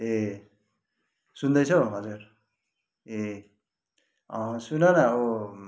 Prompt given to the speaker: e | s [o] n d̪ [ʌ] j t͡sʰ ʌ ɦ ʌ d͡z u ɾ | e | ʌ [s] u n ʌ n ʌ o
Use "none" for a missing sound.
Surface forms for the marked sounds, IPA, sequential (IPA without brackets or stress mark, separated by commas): u, ʌ, s